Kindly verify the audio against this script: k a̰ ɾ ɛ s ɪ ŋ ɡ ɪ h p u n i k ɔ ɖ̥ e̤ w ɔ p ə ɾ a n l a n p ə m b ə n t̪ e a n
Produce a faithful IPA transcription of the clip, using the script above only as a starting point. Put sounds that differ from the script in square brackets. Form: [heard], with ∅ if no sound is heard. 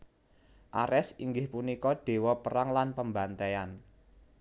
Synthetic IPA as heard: [ʔ] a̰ ɾ ɛ s [i] ŋ ɡ ɪ h p u n i k ɔ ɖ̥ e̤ w ɔ p ə ɾ a [ŋ] l a n p ə m b [a] n t̪ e a n

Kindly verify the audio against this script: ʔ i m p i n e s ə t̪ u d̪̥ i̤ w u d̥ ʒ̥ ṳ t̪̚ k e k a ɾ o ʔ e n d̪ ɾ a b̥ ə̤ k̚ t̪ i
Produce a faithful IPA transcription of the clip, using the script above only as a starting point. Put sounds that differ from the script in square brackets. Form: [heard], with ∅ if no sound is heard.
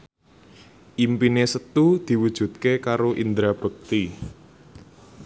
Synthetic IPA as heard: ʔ i m p i n e s ə t̪ u d̪̥ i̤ w u d̥ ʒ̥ ṳ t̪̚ k e k a ɾ o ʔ [i] n d̪ ɾ a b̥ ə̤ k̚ t̪ i

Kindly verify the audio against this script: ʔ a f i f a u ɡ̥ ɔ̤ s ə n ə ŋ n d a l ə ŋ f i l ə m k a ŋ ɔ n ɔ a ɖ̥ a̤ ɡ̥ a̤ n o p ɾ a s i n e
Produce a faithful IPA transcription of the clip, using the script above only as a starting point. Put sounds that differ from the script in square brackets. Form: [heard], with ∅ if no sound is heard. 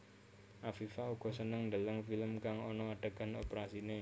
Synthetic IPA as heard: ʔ a f i f a u ɡ̥ ɔ̤ s ə n ə ŋ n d a l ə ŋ f i l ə m k a ŋ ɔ n ɔ a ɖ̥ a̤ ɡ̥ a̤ n o p ɾ a s i n e

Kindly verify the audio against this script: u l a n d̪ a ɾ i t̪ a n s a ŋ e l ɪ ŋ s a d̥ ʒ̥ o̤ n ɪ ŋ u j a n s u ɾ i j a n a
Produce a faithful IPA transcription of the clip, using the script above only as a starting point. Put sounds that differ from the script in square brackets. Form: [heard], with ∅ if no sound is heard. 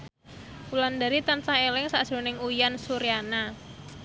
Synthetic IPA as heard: u l a n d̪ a ɾ i t̪ a n s a ŋ e l ɪ ŋ s a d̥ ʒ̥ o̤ n ɪ ŋ u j a n s u ɾ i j a n a

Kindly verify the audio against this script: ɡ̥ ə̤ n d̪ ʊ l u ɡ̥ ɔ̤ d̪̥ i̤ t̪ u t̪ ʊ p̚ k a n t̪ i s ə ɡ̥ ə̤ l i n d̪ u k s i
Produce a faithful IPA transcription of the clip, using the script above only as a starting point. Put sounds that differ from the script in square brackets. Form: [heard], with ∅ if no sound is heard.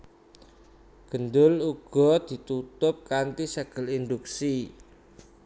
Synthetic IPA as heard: ɡ̥ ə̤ n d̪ ʊ l u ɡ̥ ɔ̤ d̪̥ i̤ t̪ u t̪ ʊ p̚ k a n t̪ i s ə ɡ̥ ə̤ l i n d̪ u k s i

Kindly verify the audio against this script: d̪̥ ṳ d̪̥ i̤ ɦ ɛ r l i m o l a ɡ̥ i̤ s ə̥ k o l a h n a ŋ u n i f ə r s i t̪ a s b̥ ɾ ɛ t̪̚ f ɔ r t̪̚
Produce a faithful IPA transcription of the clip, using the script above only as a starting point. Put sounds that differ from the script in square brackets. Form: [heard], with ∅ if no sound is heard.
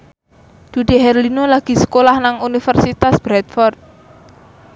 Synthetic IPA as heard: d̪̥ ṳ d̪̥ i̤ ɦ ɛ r l i [n] o l a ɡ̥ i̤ s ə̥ k o l a h n a ŋ u n i f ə r s i t̪ a s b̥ ɾ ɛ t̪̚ f ɔ r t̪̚

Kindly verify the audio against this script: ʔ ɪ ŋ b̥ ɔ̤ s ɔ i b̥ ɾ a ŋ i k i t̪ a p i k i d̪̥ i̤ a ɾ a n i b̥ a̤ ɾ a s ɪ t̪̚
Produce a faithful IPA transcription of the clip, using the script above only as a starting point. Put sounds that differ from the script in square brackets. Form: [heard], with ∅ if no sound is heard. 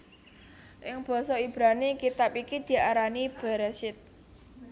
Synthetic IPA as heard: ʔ ɪ ŋ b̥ ɔ̤ s ɔ i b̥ ɾ a [n] i k i t̪ a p i k i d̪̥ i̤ a ɾ a n i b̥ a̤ ɾ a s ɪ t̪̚

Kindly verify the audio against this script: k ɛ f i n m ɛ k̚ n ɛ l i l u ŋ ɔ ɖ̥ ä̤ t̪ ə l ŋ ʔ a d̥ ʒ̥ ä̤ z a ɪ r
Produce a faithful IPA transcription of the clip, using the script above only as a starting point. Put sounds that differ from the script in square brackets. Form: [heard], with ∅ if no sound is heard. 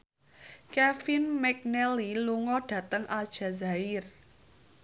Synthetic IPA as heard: k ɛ f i n m ɛ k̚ n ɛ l i l u ŋ ɔ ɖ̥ ä̤ t̪ ə [∅] ŋ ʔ a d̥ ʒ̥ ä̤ z a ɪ r

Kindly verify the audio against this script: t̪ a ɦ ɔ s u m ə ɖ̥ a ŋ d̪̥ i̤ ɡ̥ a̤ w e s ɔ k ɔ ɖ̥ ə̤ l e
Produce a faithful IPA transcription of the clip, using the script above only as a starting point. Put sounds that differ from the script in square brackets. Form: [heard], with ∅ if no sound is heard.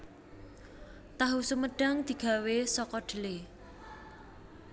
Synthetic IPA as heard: t̪ a ɦ [u] s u m ə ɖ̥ a ŋ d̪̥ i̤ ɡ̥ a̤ w e s ɔ k ɔ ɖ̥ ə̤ l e

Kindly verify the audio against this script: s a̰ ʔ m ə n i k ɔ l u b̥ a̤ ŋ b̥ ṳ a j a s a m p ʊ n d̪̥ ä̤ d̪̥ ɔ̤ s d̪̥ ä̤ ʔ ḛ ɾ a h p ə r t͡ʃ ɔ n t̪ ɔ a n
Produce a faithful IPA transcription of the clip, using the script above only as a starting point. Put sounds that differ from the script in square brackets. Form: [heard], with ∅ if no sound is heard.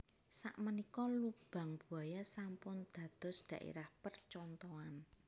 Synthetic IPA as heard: s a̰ ʔ m ə n i k ɔ l u b̥ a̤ ŋ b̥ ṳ a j a s a m p ʊ n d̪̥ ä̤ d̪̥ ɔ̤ s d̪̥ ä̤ ʔ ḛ ɾ a h p ə r t͡ʃ ɔ n t̪ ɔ a n

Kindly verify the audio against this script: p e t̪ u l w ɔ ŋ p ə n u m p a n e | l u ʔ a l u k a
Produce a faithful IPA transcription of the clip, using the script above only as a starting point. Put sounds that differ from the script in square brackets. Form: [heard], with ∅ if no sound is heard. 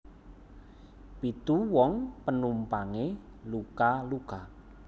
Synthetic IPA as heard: p [i] t̪ u [∅] w ɔ ŋ p ə n u m p a [ŋ] e | l u [k] a l u k a

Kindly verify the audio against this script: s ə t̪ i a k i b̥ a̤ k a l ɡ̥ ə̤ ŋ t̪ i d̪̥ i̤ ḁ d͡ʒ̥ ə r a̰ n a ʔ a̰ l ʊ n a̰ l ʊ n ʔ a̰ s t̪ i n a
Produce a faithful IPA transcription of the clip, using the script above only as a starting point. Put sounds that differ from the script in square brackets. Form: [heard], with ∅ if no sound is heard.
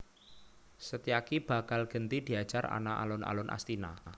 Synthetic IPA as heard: s ə t̪ i a k i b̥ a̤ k a l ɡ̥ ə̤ [n] t̪ i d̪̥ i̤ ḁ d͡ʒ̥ [a] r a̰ n a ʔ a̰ l ʊ n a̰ l ʊ n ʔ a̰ s t̪ i n a

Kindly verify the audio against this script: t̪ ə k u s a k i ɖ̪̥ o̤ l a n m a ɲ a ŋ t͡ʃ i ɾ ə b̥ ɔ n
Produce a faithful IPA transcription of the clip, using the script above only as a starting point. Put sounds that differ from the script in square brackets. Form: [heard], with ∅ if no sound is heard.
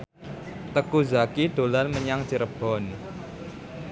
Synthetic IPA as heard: t̪ ə k u [z] a k i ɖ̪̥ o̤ l a n m [ə] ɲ a ŋ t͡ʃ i ɾ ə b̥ ɔ n

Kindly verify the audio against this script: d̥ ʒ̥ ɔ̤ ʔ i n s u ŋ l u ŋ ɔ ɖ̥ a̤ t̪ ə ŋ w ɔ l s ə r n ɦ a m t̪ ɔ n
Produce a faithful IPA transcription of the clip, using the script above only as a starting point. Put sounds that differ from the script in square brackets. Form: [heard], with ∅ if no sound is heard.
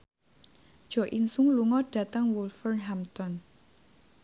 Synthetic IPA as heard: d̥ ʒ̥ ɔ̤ ʔ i n s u ŋ l u ŋ ɔ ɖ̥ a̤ t̪ ə ŋ w [u] l [f] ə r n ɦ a m t̪ ɔ n

